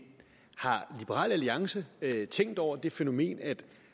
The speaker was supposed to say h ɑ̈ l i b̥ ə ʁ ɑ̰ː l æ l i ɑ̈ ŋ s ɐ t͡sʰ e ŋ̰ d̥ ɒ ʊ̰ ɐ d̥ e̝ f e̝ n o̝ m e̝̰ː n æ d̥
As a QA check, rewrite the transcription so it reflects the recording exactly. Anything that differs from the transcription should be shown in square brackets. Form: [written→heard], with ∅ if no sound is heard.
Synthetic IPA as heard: h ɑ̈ l i b̥ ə ʁ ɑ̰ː l æ l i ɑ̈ ŋ s [ɐ→ə] t͡sʰ e ŋ̰ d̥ ɒ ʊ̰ ɐ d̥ e̝ f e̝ n o̝ m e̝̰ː n æ d̥